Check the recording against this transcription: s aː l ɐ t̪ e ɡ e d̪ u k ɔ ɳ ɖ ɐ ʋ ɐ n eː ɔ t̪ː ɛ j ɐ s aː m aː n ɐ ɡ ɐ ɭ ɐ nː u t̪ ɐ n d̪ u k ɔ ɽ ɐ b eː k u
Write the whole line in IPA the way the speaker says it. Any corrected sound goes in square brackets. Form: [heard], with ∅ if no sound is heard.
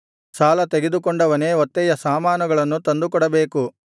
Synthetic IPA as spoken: s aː l ɐ t̪ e ɡ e d̪ u k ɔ ɳ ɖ ɐ ʋ ɐ n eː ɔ t̪ː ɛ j ɐ s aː m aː n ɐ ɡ ɐ ɭ ɐ nː u t̪ ɐ n d̪ u k ɔ ɽ ɐ b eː k u